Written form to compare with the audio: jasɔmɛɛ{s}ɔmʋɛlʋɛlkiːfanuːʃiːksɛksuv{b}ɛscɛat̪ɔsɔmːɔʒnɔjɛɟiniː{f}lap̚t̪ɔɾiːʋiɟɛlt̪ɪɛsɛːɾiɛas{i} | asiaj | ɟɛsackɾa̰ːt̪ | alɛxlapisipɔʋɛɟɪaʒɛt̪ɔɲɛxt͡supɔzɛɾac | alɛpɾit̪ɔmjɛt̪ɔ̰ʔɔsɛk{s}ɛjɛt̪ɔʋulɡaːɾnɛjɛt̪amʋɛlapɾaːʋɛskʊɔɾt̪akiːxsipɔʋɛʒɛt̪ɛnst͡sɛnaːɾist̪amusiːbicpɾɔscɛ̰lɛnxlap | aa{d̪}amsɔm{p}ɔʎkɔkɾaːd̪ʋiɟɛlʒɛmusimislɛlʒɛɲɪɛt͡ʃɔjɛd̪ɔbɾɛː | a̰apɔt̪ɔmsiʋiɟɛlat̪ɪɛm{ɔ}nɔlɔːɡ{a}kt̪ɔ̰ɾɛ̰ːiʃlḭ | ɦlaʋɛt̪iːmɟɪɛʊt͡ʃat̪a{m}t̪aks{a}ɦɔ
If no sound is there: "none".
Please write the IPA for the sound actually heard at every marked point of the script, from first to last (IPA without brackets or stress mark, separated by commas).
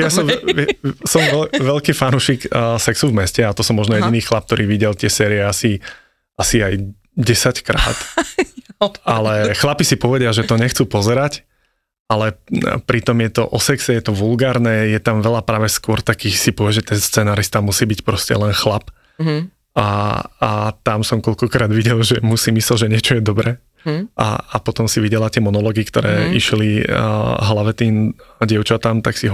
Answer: s, m, x, i, s, t̪, k, ɔ, i, m, i